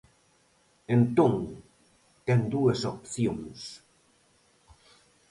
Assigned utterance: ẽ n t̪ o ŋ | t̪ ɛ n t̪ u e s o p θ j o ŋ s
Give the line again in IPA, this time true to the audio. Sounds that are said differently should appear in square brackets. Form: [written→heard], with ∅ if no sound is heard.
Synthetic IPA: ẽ n t̪ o ŋ | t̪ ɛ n [t̪→d̪] u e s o p θ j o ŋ s